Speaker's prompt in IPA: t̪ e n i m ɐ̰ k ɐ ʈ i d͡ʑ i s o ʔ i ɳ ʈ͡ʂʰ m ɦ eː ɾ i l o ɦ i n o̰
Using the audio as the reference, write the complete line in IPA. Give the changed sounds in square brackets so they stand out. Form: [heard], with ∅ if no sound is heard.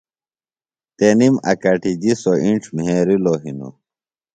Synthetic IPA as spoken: t̪ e n i m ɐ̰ k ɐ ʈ i d͡ʑ i s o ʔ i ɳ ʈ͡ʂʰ m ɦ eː ɾ i l o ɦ i n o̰